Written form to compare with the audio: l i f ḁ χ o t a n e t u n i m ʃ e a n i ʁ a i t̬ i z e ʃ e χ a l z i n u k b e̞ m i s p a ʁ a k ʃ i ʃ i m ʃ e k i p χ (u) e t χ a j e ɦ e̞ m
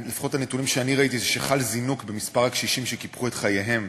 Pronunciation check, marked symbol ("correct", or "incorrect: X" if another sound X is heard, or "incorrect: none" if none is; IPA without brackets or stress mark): correct